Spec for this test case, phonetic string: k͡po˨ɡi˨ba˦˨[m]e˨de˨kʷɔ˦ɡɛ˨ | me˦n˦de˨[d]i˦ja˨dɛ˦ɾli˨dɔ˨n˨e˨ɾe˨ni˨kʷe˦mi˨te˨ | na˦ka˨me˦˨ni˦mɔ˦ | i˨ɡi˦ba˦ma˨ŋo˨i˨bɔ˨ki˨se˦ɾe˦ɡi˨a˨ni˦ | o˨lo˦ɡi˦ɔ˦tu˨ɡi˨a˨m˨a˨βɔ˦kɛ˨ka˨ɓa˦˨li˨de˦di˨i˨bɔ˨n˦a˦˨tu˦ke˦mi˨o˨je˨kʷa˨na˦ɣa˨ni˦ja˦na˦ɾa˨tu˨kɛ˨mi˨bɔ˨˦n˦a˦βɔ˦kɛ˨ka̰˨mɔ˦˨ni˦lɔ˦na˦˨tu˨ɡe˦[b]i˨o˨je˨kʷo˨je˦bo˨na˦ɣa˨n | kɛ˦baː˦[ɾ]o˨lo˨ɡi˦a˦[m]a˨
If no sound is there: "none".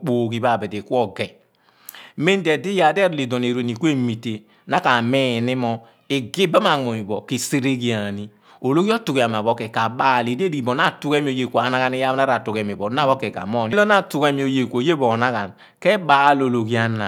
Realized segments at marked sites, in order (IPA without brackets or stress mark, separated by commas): b, d, m, l, n